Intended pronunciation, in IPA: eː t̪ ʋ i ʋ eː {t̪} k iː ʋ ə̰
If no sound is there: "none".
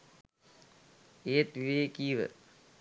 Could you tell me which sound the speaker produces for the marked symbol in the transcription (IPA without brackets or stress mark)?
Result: none